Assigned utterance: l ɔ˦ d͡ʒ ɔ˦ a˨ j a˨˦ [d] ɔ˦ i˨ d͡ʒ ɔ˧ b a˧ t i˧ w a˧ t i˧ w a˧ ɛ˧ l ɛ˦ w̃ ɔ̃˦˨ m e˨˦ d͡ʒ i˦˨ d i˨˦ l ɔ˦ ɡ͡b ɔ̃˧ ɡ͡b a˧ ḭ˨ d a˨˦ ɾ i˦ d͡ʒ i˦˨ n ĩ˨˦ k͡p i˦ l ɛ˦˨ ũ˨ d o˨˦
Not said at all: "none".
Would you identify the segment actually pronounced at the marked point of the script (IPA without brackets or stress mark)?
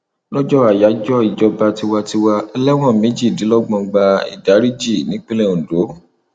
d͡ʒ